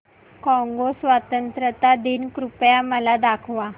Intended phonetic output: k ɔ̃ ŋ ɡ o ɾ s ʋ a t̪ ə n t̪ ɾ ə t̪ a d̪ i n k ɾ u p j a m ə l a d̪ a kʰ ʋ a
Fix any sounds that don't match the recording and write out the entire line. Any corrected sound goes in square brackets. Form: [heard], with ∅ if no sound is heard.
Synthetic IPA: k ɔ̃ ŋ ɡ o [∅] s ʋ a t̪ ə n t̪ ɾ ə t̪ a d̪ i n k ɾ u p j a m ə l a d̪ a kʰ ʋ a